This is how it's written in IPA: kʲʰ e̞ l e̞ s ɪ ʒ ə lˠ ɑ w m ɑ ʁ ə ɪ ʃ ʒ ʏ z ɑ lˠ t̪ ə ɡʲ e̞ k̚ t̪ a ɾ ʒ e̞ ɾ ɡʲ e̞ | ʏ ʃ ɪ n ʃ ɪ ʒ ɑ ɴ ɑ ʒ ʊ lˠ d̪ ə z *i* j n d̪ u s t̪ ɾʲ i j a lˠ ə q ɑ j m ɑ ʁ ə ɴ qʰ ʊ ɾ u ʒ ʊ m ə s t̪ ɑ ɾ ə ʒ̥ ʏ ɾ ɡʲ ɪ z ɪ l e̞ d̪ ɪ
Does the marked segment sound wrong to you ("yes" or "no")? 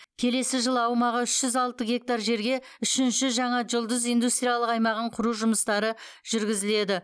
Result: no